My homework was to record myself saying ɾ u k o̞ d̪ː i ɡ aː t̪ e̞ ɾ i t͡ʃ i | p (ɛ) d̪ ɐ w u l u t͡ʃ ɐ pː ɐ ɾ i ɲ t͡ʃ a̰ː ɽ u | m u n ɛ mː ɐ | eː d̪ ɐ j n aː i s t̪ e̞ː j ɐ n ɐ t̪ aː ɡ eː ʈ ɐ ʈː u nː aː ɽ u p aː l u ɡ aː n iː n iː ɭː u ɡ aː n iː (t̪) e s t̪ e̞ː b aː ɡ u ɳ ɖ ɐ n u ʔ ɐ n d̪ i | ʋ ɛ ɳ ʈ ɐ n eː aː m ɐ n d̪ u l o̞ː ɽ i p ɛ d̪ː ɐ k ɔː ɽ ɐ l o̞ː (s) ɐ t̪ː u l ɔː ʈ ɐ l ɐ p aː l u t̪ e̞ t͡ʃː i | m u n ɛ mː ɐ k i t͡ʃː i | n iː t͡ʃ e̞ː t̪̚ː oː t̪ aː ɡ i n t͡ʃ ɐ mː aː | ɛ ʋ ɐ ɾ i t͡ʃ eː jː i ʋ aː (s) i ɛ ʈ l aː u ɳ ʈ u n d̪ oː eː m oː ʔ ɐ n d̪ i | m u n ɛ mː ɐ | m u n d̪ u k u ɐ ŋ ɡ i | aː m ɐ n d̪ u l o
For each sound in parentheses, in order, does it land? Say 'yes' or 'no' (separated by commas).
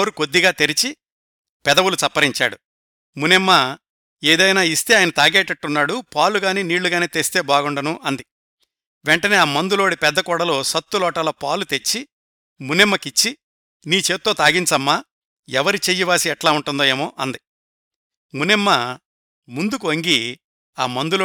yes, yes, yes, yes